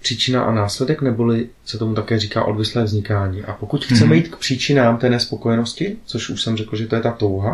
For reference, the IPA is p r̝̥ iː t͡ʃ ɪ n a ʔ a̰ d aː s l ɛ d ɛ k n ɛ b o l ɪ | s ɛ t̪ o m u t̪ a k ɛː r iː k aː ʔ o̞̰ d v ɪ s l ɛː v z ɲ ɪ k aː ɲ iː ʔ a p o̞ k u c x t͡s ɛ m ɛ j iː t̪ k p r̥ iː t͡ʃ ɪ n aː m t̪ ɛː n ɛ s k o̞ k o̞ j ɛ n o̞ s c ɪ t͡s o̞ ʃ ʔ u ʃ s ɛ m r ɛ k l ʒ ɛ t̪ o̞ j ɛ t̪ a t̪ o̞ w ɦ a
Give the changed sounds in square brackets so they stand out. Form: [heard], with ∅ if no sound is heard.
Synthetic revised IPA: p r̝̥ iː t͡ʃ ɪ n a ʔ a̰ [n] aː s l ɛ d ɛ k n ɛ b o l ɪ | s ɛ t̪ o m u t̪ a k ɛː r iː k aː ʔ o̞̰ d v ɪ s l ɛː v z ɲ ɪ k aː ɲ iː ʔ a p o̞ k u c x t͡s ɛ m ɛ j iː t̪ k p r̥ iː t͡ʃ ɪ n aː m t̪ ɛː n ɛ s [p] o̞ k o̞ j ɛ n o̞ s c ɪ t͡s o̞ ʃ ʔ u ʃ s ɛ m r ɛ k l ʒ ɛ t̪ o̞ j ɛ t̪ a t̪ o̞ w ɦ a